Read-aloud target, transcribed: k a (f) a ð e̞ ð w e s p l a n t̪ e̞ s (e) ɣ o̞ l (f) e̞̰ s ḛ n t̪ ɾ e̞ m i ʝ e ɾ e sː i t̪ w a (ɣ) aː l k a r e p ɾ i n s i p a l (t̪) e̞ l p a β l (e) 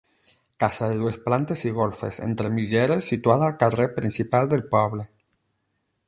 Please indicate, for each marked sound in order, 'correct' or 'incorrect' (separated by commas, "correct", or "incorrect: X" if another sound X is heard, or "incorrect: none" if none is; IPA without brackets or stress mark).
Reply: incorrect: s, incorrect: i, correct, incorrect: ð, incorrect: d̪, correct